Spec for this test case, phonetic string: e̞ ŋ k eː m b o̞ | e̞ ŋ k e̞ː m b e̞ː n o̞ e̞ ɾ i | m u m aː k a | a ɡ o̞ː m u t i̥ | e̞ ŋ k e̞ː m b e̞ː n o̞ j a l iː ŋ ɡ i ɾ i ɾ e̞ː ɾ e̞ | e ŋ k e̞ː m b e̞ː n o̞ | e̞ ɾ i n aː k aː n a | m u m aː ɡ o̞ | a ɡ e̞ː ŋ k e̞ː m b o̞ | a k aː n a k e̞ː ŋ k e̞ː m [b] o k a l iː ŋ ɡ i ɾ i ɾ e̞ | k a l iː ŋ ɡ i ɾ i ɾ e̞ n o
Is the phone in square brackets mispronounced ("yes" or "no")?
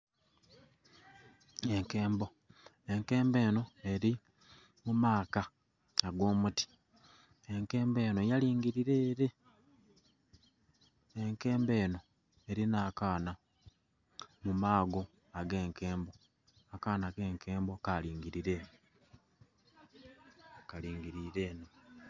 no